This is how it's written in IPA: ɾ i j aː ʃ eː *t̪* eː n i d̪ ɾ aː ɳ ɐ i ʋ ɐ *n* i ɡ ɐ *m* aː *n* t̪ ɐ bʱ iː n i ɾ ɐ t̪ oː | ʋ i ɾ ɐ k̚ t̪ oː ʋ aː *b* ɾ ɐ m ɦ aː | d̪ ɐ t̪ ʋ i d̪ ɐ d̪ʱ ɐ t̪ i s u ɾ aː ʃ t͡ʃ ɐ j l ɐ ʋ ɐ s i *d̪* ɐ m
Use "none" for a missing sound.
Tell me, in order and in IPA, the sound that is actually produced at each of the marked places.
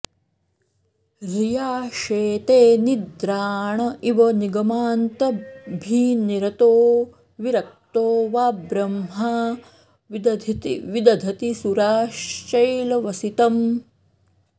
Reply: t̪, n, m, n, b, t̪

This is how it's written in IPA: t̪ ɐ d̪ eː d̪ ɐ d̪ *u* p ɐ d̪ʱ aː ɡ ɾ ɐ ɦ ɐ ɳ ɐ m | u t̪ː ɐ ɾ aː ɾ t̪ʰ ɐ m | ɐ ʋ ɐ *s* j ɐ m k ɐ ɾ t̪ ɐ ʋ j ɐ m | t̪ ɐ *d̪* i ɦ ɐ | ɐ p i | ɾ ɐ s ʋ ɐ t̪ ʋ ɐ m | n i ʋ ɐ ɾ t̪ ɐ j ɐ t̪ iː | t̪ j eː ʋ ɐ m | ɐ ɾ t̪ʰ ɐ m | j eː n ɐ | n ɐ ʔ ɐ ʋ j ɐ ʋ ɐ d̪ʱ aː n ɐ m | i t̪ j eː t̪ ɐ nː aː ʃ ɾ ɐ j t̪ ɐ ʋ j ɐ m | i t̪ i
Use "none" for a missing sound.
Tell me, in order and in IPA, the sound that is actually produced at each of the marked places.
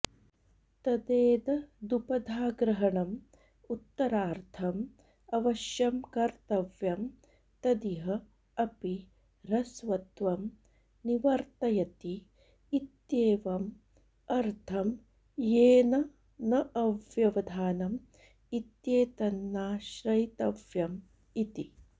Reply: u, ʃ, d̪

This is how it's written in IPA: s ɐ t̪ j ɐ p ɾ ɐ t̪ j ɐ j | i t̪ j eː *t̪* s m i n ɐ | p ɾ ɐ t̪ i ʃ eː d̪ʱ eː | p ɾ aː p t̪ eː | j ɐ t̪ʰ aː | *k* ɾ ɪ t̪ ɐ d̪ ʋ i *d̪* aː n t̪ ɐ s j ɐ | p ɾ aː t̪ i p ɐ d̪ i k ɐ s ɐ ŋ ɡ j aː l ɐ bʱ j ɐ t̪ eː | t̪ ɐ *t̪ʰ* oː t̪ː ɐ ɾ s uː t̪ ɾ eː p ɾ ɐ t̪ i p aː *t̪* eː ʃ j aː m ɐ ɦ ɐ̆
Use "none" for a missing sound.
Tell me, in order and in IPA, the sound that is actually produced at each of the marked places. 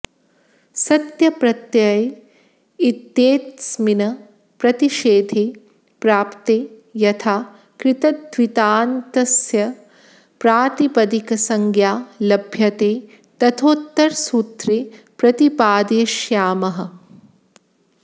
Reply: t̪, k, t̪, t̪ʰ, d̪

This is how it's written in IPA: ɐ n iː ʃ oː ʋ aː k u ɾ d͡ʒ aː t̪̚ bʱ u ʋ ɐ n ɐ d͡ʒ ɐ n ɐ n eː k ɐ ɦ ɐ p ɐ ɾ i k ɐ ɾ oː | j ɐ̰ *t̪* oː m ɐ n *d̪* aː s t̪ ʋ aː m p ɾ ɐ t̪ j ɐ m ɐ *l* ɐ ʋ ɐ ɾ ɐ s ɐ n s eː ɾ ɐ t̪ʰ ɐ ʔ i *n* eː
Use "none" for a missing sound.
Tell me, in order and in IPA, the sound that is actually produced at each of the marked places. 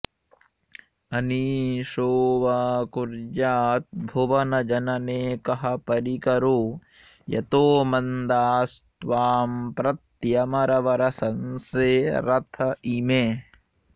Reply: t̪, d̪, ɾ, m

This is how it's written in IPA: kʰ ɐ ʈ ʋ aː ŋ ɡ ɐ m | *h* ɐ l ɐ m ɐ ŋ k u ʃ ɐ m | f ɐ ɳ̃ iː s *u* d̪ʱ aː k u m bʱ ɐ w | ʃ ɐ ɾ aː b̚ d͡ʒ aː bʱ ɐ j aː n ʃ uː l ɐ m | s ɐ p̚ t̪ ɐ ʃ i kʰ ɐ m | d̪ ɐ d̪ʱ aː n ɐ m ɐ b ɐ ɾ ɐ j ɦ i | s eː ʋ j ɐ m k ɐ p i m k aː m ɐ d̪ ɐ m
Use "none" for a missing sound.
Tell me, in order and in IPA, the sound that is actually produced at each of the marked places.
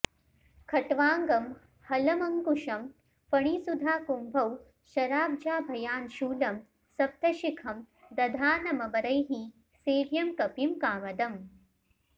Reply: h, u

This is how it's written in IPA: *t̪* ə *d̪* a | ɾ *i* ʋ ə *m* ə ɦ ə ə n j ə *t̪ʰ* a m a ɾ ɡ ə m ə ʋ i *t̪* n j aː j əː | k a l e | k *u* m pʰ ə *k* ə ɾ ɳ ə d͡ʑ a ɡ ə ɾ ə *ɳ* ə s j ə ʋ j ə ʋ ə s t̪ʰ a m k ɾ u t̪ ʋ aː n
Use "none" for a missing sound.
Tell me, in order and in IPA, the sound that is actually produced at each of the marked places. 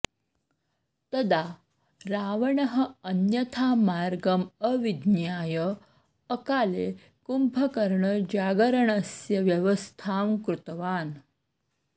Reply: t̪, d̪, a, ɳ, t̪ʰ, d̪, u, k, ɳ

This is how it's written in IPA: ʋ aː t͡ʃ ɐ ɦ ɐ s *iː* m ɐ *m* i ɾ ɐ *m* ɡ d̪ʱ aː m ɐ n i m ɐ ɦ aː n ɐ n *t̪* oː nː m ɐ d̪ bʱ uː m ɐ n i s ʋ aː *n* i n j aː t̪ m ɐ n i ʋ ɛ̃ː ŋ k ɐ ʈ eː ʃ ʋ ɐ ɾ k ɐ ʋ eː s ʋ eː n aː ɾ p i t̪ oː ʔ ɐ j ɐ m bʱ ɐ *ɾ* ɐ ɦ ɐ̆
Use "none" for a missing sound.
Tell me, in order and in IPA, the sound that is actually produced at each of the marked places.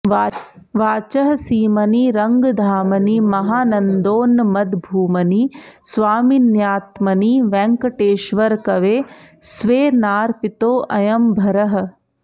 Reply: iː, n, ŋ, d̪, m, ɾ

